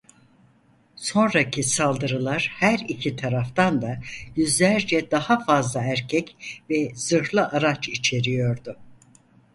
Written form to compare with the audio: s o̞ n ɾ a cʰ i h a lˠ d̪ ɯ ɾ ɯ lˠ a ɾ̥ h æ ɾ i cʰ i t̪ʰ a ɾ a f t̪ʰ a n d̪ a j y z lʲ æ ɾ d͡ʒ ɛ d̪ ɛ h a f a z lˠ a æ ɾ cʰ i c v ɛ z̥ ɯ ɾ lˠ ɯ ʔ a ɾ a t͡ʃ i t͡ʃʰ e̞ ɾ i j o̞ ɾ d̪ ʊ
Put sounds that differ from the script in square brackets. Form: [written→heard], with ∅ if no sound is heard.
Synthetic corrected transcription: s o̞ n ɾ a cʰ i [h→s] a lˠ d̪ ɯ ɾ ɯ lˠ a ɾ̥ h æ ɾ i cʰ i t̪ʰ a ɾ a f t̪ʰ a n d̪ a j y z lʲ æ ɾ d͡ʒ ɛ d̪ [ɛ→a] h a f a z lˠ a æ ɾ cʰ [i→ɛ] c v ɛ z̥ ɯ ɾ lˠ ɯ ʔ a ɾ a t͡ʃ i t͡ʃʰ e̞ ɾ i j o̞ ɾ d̪ ʊ